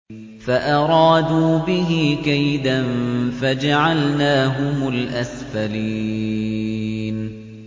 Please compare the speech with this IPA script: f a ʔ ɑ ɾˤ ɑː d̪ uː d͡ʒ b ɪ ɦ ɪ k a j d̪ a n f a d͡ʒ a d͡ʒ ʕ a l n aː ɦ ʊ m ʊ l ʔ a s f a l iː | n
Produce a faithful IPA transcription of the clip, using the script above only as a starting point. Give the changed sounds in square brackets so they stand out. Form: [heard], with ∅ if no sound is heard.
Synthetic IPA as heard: f a ʔ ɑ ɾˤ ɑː d̪ uː [∅] b ɪ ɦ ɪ k a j d̪ a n f a d͡ʒ a [∅] ʕ a l n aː ɦ ʊ m ʊ l ʔ a s f a l iː | n